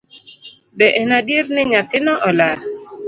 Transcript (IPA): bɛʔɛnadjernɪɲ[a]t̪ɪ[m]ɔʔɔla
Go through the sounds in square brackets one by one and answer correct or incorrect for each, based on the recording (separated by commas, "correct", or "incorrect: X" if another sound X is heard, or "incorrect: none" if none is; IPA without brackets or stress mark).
correct, incorrect: n